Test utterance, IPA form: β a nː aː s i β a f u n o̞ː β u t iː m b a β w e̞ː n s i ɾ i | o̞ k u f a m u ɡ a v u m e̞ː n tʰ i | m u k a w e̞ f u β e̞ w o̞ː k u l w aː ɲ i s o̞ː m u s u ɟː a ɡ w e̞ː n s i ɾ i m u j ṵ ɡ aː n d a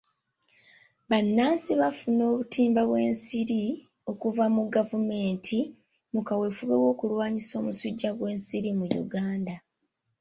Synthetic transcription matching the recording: β a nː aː s i β a f u n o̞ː β u t iː m b a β w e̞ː n s i ɾ i | o̞ k u v a m u ɡ a v u m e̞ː n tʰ i | m u k a w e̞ f u β e̞ w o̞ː k u l w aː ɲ i s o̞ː m u s u ɟː a ɡ w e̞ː n s i ɾ i m u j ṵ ɡ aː n d a